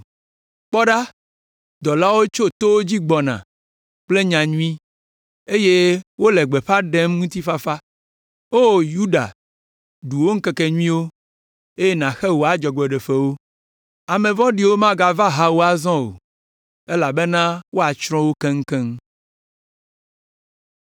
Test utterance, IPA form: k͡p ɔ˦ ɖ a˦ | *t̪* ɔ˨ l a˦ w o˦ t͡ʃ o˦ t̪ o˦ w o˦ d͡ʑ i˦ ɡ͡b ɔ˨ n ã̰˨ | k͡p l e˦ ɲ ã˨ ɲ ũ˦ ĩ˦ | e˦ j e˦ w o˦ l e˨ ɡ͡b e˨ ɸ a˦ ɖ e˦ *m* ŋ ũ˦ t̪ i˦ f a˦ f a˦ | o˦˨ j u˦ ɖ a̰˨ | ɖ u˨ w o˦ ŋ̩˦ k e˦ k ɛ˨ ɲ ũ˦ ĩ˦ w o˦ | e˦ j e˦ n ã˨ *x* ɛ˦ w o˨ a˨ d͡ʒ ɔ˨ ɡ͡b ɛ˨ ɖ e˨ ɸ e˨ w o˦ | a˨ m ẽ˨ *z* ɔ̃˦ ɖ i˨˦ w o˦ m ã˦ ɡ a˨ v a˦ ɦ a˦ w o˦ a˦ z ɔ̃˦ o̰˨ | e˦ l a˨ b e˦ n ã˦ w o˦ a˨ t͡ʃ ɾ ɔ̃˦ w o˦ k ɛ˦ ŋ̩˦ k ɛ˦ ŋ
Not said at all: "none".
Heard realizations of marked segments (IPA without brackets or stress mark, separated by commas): d̪, m, x, v